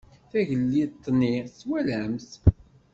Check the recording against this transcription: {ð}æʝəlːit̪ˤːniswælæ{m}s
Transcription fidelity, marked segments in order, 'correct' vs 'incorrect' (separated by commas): incorrect, correct